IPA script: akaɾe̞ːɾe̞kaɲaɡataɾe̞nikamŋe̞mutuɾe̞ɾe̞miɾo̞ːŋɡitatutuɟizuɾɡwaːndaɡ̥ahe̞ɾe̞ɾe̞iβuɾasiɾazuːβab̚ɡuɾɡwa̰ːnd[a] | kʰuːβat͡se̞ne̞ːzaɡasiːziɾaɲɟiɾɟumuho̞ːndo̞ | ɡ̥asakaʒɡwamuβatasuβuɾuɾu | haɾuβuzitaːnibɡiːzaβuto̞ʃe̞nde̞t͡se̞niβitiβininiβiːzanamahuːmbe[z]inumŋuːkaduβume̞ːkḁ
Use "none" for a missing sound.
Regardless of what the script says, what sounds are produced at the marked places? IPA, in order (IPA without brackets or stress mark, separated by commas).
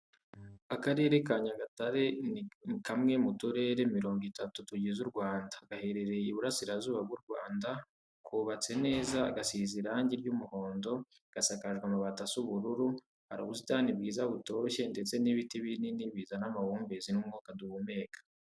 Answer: a, z